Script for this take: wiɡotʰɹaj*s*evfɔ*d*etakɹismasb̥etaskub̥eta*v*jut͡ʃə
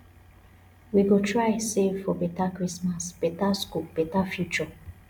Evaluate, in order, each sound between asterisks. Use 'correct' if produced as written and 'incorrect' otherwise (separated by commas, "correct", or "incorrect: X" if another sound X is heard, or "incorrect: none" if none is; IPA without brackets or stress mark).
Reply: correct, incorrect: b, incorrect: f